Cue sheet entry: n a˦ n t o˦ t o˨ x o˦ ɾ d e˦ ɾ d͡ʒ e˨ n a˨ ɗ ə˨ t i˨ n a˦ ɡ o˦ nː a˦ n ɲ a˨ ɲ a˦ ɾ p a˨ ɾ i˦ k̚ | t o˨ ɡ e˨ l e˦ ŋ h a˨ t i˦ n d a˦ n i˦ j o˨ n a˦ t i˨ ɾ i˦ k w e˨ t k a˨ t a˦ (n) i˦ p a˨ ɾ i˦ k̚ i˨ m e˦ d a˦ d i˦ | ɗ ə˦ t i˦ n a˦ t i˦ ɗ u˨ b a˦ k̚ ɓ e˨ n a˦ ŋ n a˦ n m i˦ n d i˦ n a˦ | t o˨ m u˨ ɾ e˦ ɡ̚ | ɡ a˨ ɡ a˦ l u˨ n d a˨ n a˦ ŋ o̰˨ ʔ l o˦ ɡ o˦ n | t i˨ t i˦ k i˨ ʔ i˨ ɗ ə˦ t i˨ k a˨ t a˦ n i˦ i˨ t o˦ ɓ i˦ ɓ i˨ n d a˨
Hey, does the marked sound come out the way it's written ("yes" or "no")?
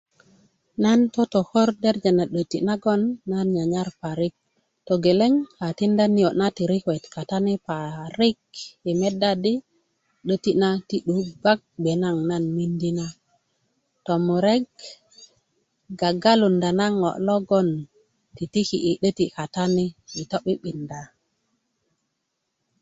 yes